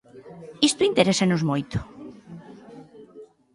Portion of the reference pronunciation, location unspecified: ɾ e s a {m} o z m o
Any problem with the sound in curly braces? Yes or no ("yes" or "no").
yes